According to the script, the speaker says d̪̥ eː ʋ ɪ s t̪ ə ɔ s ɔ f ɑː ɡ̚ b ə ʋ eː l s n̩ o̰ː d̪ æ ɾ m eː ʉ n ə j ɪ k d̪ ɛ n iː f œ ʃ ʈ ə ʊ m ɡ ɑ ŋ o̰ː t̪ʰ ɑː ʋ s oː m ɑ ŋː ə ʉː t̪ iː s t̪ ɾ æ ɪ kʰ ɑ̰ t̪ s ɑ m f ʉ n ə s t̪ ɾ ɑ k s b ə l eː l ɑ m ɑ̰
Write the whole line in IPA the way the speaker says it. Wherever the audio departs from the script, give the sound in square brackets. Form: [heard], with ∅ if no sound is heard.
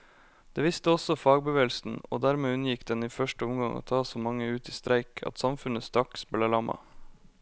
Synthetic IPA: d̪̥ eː ʋ ɪ s t̪ ə ɔ s ɔ f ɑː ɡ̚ b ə ʋ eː l s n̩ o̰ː d̪ æ ɾ m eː ʉ n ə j ɪ k d̪ ɛ n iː f œ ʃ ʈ ə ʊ m ɡ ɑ ŋ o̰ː t̪ʰ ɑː [∅] s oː m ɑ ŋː ə ʉː t̪ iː s t̪ ɾ æ ɪ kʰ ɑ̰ t̪ s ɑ m f ʉ n ə s t̪ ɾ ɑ k s b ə l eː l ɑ m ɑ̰